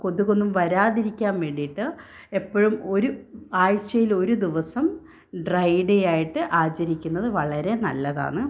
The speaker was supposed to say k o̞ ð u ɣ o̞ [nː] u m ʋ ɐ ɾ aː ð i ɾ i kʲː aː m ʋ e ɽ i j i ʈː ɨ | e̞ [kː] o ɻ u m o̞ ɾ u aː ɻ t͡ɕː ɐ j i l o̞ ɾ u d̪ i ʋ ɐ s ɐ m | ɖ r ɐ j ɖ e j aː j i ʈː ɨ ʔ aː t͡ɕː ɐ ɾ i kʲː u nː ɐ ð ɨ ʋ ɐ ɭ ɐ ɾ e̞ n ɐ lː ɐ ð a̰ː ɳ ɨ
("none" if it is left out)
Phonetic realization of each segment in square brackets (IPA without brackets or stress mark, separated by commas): nː, pː